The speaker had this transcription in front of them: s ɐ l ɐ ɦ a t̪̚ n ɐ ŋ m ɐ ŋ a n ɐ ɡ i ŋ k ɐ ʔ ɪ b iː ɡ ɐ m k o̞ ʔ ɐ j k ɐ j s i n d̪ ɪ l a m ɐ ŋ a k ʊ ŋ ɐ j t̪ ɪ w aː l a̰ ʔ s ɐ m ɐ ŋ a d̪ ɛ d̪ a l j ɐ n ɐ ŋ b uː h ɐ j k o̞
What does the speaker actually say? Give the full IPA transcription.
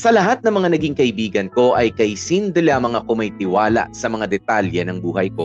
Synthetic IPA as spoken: s ɐ l ɐ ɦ a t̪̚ n ɐ ŋ m ɐ ŋ a n ɐ ɡ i ŋ k ɐ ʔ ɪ b iː ɡ ɐ n k o̞ ʔ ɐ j k ɐ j s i n d̪ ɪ l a m ɐ ŋ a k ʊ m ɐ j t̪ ɪ w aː l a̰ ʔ s ɐ m ɐ ŋ a d̪ ɛ t̪ a l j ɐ n ɐ ŋ b uː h ɐ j k o̞